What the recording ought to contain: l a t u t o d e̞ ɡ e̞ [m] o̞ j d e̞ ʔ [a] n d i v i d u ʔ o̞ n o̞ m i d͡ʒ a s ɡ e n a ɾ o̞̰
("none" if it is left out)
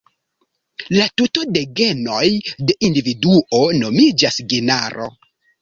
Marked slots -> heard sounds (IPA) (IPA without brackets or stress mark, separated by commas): n, i